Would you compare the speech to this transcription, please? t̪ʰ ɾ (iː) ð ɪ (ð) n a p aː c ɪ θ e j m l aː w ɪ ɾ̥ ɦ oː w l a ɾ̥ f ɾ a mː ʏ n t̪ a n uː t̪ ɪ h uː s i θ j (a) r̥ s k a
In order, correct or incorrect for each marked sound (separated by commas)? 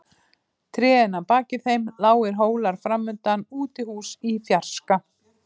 incorrect, incorrect, correct